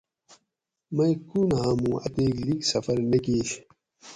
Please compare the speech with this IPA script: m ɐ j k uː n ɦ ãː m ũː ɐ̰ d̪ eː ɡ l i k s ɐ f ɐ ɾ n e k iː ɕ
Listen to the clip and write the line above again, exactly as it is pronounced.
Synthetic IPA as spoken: m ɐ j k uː n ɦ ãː m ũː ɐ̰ t̪ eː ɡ l i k s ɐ f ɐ ɾ n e k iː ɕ